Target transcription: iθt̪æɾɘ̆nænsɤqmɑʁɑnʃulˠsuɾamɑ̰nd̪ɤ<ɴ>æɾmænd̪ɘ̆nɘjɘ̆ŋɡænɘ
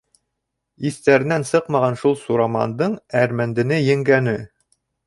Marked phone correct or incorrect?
correct